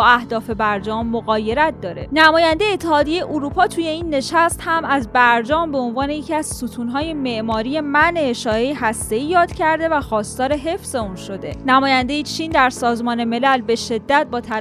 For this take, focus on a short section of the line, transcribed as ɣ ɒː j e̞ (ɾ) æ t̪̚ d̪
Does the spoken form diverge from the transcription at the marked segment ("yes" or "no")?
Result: no